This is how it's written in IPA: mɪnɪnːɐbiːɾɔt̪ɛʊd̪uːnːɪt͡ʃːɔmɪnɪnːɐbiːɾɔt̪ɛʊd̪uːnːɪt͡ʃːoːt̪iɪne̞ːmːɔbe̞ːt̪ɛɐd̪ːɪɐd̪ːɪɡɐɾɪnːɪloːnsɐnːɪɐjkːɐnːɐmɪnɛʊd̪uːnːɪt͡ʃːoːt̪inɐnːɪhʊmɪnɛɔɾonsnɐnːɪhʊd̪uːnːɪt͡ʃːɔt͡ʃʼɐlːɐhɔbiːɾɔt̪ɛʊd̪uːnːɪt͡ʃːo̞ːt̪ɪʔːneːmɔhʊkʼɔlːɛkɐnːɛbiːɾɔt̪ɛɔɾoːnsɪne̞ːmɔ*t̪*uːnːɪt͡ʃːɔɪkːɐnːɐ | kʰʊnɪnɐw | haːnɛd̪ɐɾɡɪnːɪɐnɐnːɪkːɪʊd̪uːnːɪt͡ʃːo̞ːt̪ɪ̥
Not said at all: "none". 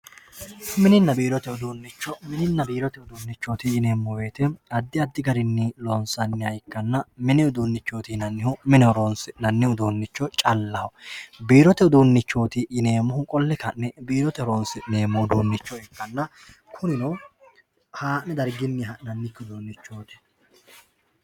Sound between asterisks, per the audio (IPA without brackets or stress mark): d̪